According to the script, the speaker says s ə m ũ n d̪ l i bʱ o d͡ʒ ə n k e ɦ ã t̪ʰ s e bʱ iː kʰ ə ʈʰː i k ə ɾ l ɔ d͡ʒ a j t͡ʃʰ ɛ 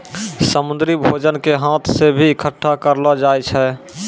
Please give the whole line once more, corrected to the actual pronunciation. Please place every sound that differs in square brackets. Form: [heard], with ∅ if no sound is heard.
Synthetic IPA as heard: s ə m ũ n d̪ [ɾ] i bʱ o d͡ʒ ə n k e ɦ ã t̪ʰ s e bʱ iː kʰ ə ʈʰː [a] k ə ɾ l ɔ d͡ʒ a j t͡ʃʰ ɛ